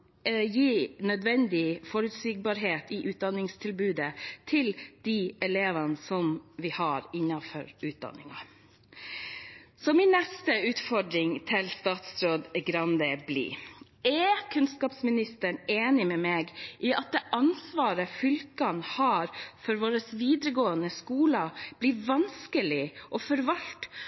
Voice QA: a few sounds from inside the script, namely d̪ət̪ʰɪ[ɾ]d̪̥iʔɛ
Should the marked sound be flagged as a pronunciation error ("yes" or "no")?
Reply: yes